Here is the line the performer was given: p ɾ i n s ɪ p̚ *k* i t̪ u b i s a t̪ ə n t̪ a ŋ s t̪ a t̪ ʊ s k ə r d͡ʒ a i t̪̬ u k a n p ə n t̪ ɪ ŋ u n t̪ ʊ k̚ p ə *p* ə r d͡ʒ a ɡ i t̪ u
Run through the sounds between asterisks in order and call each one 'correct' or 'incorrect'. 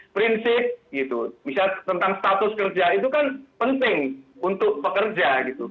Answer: incorrect: ɡ, incorrect: k

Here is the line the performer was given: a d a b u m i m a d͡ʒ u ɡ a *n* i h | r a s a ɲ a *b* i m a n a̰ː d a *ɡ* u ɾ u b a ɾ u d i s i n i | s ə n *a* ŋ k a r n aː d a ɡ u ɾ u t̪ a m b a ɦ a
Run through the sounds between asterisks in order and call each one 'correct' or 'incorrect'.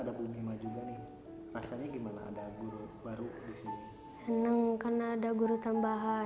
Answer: correct, incorrect: ɡ, correct, incorrect: ə

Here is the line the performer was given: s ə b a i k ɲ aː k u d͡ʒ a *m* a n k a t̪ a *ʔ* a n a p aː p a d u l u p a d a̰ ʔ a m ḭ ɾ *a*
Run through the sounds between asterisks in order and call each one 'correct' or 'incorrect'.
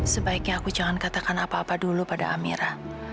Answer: incorrect: ŋ, incorrect: k, correct

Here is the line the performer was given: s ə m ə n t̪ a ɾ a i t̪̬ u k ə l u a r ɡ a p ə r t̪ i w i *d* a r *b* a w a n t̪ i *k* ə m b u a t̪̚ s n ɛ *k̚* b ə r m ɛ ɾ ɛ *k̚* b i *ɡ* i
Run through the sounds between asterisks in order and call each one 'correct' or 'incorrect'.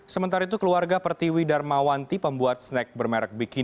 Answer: correct, incorrect: m, incorrect: p, correct, correct, incorrect: k

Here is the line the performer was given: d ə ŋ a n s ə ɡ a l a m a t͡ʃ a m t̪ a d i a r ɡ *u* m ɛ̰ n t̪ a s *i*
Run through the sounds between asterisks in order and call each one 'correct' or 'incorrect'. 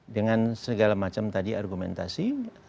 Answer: correct, correct

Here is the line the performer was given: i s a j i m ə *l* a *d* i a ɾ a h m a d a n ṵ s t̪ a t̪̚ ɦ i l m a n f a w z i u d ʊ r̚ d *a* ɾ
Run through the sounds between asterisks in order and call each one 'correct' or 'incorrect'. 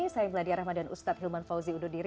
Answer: correct, correct, incorrect: i

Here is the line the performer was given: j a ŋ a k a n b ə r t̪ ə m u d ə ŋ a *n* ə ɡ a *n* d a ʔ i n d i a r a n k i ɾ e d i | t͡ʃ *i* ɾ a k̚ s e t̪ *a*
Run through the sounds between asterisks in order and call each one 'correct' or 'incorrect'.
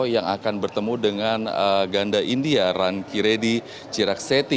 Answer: correct, correct, correct, incorrect: i

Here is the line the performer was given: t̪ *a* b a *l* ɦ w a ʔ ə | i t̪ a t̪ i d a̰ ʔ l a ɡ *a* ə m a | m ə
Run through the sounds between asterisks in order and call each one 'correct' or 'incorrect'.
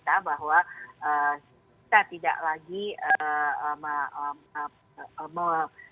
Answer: correct, incorrect: none, incorrect: i

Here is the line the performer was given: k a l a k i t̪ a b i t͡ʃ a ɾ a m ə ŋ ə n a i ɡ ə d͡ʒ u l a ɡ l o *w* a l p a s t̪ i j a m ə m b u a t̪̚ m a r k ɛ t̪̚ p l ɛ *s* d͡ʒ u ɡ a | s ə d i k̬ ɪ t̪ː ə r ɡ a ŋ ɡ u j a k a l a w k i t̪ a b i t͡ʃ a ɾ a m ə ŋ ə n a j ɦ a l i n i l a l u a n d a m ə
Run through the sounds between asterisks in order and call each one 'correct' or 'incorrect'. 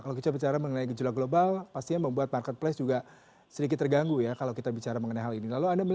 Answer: incorrect: b, correct

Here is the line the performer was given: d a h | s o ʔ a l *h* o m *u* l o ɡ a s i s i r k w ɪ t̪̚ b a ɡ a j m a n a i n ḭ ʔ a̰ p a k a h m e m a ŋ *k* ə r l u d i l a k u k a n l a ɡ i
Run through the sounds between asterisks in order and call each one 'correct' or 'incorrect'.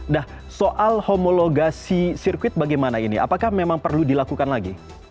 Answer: correct, incorrect: o, incorrect: p

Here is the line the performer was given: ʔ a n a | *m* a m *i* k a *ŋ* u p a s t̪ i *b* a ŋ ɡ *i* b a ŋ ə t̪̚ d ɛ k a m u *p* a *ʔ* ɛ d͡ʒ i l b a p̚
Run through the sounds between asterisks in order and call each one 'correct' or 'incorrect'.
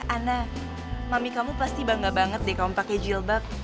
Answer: correct, correct, incorrect: m, correct, incorrect: a, correct, incorrect: k

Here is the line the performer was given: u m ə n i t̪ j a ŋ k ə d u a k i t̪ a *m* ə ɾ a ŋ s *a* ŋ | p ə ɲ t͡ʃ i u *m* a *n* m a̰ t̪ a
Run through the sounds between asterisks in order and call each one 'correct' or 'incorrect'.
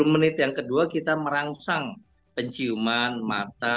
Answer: correct, correct, correct, correct

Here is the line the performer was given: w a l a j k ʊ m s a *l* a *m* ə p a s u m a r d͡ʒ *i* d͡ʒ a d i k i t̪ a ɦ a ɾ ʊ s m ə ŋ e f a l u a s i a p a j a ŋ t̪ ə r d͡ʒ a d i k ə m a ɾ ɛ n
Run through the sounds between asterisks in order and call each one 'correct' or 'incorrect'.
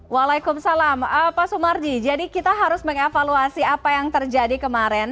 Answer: correct, correct, correct

